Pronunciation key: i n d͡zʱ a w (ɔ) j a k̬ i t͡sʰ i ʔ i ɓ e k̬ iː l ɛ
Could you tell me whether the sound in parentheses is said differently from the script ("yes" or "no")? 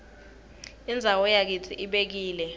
no